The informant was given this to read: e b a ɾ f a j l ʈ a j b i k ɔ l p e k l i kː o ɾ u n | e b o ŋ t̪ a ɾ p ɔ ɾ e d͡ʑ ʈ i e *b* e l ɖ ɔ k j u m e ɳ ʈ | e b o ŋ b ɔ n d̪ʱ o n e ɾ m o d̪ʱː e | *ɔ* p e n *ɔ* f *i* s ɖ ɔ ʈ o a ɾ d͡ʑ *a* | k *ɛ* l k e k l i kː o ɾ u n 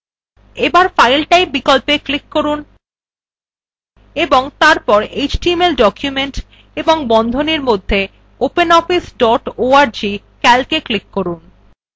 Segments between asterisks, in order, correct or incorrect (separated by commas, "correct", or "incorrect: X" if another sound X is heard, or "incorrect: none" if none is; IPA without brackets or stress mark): incorrect: m, incorrect: o, correct, correct, incorrect: i, correct